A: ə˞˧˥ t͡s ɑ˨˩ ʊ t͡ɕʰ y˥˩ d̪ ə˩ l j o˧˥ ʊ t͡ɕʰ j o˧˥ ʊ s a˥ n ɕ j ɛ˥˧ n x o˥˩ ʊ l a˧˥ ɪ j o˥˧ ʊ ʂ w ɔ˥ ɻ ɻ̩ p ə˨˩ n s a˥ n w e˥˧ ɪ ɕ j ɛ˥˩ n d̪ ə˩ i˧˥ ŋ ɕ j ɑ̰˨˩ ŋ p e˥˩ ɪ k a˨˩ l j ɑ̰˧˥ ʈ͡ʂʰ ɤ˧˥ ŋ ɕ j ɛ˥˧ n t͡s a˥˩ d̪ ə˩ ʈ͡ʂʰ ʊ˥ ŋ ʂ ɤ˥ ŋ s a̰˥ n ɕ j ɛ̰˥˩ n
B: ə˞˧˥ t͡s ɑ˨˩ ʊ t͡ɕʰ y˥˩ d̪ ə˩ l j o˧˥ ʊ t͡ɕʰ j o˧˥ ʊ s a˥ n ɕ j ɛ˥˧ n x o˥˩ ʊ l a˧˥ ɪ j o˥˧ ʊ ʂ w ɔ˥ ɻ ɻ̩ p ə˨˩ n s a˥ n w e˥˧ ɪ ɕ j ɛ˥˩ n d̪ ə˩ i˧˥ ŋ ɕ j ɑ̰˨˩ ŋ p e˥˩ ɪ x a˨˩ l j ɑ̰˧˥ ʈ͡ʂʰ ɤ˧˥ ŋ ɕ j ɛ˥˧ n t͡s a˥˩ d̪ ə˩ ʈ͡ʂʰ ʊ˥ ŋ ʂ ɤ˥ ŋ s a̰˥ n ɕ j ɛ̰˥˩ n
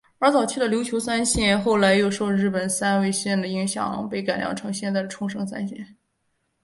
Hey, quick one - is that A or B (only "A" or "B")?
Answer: A